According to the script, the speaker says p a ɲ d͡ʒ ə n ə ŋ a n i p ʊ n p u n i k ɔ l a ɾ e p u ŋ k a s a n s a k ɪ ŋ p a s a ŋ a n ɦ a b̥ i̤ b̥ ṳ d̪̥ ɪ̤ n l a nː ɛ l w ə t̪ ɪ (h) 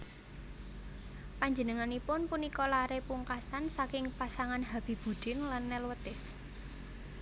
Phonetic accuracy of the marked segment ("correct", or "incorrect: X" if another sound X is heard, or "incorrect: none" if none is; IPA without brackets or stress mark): incorrect: s